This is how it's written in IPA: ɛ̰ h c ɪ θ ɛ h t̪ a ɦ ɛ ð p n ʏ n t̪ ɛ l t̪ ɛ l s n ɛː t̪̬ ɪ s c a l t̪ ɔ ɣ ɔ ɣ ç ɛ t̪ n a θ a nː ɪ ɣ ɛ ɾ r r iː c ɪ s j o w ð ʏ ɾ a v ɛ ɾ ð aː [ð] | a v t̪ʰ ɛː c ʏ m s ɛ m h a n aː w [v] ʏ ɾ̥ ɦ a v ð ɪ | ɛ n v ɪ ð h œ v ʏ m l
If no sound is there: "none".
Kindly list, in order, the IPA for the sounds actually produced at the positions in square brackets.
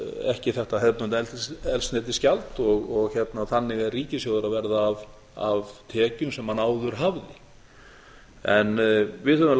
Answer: v, ð

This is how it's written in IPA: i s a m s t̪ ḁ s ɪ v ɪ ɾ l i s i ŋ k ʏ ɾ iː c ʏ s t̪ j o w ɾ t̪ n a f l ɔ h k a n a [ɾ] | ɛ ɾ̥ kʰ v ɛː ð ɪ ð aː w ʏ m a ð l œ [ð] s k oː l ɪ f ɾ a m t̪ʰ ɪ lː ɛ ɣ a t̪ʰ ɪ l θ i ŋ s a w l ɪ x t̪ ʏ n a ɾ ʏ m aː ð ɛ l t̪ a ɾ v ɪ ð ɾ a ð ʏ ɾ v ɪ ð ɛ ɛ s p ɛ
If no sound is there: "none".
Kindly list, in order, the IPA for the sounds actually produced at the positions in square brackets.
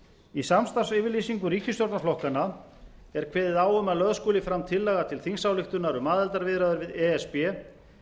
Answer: none, ð

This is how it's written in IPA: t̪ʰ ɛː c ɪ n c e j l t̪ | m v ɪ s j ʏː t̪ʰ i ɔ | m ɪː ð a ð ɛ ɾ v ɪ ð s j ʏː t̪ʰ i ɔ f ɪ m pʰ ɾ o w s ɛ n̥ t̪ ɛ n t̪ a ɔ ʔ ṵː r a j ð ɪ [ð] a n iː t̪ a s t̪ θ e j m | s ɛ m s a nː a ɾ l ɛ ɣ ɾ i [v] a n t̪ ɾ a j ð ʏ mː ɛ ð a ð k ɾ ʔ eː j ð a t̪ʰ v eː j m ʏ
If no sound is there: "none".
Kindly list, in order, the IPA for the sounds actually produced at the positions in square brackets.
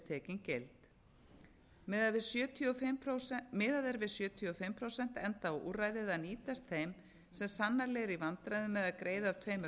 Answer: ð, v

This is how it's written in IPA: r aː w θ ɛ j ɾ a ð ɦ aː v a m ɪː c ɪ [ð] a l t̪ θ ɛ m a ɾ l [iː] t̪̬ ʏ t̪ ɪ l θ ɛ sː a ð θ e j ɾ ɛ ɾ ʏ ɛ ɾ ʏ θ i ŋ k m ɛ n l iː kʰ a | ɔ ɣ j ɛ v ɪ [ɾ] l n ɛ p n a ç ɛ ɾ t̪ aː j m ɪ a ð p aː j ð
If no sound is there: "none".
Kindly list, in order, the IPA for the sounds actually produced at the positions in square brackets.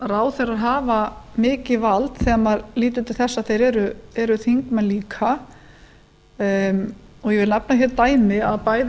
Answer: v, iː, none

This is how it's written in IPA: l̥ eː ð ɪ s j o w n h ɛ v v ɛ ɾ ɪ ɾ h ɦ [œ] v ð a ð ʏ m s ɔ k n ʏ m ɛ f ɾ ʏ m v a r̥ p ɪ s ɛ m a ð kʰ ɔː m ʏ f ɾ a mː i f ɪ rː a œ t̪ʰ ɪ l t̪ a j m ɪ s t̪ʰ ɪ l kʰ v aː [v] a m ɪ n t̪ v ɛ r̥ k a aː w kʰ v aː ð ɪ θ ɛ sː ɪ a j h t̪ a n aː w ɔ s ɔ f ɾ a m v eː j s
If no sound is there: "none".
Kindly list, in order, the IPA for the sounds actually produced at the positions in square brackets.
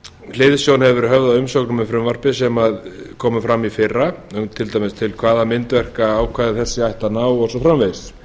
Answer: œ, ð

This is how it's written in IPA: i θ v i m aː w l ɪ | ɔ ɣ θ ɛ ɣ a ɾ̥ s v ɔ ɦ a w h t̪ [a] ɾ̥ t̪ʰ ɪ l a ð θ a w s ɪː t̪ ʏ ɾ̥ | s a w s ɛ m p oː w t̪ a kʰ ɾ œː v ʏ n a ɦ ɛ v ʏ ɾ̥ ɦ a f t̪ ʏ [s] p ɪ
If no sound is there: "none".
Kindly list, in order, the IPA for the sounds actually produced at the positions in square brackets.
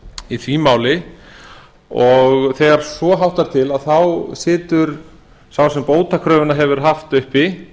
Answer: a, h

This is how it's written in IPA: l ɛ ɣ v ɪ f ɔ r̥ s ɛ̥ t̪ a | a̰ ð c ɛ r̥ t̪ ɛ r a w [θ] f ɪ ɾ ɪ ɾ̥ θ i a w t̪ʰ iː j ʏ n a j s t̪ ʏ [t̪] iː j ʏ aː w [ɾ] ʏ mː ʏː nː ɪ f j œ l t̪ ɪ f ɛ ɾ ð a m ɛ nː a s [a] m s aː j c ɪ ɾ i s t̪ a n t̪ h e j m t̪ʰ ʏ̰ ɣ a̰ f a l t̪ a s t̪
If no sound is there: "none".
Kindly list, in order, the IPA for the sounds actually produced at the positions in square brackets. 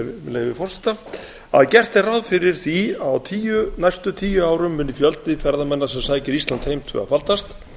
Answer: ð, t̪ʰ, ɾ, ɛ

